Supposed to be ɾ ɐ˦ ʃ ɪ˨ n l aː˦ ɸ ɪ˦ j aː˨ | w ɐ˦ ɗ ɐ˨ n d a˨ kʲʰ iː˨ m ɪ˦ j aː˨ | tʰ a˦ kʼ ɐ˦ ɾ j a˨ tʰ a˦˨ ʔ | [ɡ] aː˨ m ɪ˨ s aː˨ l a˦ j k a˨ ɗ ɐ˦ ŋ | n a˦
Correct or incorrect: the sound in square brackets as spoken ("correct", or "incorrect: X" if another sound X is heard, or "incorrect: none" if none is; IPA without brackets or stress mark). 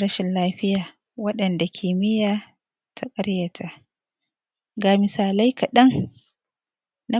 correct